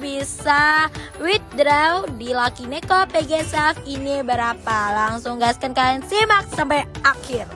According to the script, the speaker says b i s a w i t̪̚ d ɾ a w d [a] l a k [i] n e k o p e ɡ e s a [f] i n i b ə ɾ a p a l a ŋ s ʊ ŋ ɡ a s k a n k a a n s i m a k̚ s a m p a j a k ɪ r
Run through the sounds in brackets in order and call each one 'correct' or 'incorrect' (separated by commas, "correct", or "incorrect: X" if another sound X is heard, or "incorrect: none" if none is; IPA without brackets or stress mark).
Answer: incorrect: i, correct, correct